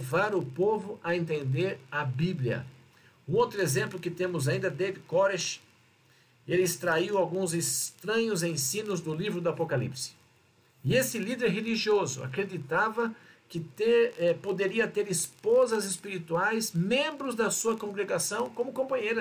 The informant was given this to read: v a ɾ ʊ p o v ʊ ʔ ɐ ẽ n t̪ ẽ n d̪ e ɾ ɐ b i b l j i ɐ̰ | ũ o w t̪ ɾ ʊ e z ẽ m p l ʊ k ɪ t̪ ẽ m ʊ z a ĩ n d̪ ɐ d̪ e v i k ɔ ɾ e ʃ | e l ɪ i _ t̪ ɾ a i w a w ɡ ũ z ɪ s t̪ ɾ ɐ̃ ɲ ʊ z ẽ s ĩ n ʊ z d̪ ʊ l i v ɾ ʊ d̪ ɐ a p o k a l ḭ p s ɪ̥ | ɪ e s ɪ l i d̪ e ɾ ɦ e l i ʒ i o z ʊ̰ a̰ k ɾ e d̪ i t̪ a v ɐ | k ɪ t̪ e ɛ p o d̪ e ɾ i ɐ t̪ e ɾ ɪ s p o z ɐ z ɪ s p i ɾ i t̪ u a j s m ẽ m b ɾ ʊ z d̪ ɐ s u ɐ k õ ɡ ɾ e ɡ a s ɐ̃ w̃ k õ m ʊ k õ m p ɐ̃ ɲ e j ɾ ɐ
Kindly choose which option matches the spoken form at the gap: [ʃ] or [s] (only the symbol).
s